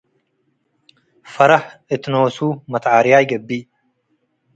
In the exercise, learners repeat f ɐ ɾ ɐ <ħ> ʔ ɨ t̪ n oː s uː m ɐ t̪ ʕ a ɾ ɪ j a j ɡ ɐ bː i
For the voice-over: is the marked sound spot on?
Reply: yes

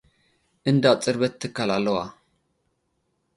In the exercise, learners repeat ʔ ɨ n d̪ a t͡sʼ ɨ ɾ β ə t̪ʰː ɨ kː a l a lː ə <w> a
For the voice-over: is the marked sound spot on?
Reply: yes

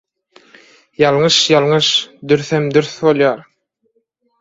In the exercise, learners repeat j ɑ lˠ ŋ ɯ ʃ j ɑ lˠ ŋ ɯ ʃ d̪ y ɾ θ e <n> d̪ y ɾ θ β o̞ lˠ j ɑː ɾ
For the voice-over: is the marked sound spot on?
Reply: no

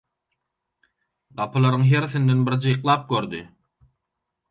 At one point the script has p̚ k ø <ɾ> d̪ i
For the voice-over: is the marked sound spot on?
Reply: yes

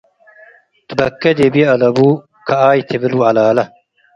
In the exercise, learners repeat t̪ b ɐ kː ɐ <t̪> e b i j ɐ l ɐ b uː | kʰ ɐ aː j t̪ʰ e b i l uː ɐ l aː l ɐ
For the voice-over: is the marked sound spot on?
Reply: no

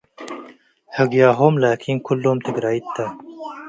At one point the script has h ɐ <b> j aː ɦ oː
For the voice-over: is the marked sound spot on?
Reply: no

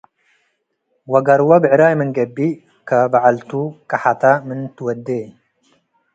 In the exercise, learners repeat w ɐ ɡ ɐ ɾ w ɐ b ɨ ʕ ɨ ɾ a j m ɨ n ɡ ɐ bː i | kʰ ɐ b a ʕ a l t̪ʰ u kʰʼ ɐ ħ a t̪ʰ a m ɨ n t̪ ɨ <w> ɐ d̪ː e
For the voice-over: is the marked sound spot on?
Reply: yes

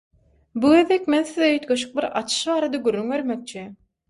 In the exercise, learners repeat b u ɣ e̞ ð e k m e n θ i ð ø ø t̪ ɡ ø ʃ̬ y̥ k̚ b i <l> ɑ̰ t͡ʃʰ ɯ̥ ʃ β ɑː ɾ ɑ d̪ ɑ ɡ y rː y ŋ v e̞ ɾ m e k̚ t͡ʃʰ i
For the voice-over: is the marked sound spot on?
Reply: no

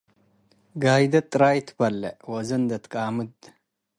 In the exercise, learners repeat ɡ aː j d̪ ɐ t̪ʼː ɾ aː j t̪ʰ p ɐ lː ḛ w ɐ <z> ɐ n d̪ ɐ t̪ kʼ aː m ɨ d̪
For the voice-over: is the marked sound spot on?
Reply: yes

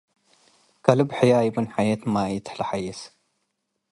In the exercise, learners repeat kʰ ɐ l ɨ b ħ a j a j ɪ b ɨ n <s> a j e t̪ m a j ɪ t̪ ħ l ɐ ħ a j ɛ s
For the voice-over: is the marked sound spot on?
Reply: no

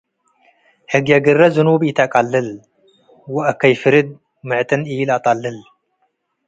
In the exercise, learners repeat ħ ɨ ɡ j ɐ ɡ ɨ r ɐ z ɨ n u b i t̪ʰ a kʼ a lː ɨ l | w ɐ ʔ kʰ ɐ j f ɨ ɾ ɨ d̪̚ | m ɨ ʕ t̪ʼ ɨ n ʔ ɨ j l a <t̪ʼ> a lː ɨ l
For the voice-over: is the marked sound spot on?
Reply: yes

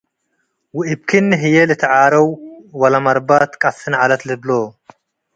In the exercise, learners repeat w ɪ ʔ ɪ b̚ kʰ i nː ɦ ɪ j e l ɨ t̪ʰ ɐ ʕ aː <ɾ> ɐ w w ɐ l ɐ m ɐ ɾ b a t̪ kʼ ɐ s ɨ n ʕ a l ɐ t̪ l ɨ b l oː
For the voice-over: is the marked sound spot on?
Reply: yes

